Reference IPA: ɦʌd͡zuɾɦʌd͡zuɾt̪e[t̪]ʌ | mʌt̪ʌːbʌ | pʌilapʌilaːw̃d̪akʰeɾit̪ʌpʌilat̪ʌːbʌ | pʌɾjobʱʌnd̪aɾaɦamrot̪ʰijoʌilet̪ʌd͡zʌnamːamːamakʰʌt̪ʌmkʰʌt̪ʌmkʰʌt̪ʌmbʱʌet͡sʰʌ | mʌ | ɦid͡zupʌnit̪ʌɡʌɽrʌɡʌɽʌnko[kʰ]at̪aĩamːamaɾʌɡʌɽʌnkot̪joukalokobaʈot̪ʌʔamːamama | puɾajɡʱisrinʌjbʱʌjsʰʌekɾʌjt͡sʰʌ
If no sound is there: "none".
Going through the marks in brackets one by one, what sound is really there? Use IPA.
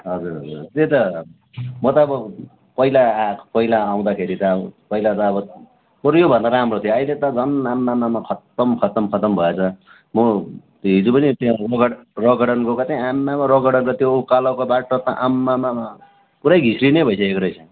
t̪, k

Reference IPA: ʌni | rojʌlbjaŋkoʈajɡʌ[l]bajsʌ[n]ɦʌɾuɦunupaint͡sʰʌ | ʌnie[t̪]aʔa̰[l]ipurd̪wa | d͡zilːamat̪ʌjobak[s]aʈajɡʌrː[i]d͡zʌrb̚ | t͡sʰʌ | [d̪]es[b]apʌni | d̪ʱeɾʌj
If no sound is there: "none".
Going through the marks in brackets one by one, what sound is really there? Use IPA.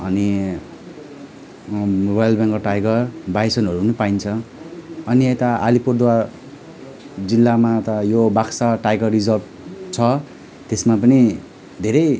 r, n, t̪, l, s, i, t̪, m

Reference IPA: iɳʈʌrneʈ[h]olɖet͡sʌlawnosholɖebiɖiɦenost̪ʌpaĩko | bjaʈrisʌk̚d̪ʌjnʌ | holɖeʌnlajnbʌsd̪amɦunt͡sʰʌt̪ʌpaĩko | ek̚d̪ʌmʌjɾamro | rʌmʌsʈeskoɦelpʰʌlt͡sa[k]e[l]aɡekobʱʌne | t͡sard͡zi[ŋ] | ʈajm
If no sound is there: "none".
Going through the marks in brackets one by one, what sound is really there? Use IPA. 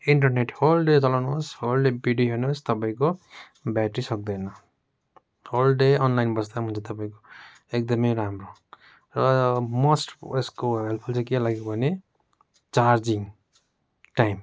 h, k, l, ŋ

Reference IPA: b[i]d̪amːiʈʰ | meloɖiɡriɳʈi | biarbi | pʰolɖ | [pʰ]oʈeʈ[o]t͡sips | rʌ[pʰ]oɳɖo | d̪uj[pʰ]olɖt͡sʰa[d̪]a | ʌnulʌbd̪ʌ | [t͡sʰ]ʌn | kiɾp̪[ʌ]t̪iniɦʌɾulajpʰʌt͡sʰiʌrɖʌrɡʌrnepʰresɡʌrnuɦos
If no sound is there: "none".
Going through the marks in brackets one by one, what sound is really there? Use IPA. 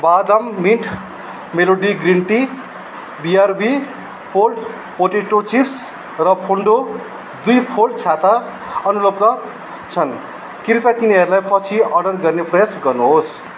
a, p, o, pʰ, pʰ, t̪, t͡sʰ, a

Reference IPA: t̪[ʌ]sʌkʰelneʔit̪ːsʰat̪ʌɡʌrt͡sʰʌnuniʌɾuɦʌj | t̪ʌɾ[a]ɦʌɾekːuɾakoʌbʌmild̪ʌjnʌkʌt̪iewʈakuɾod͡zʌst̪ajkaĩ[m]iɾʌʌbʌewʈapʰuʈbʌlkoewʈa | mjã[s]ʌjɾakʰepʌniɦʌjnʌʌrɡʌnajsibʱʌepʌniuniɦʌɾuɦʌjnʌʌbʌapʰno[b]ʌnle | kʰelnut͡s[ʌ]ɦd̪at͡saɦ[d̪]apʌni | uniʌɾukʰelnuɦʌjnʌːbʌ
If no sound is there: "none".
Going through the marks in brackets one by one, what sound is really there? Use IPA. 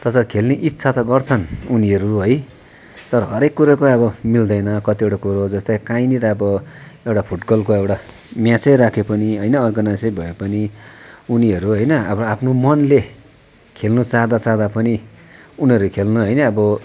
ʌ, ʌ, n, t͡s, m, a, d̪

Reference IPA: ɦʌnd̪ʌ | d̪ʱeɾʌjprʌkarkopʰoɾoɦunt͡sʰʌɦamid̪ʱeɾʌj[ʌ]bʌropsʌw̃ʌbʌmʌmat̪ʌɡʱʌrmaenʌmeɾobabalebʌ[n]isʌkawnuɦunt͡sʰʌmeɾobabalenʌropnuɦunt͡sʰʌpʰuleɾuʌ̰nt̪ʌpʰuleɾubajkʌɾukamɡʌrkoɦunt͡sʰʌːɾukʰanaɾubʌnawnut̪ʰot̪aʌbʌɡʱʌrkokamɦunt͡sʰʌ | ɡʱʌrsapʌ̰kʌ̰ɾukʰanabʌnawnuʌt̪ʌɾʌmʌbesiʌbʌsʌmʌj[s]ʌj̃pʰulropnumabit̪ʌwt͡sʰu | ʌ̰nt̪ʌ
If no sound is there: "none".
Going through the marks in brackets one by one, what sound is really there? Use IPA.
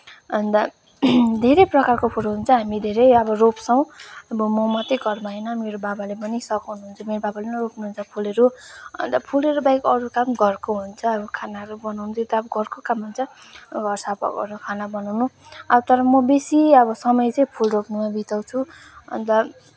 ʌ, n, t͡s

